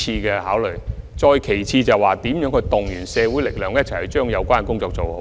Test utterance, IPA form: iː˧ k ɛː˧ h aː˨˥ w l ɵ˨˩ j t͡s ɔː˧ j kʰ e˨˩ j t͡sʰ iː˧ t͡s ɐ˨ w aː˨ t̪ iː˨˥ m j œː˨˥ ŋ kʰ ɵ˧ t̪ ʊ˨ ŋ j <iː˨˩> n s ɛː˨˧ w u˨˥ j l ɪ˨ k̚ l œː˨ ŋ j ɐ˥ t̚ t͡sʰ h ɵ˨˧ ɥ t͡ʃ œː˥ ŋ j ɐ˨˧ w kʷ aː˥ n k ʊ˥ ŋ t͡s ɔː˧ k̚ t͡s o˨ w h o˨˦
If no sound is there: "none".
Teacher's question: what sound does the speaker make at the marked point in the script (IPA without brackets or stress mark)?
yː˨˩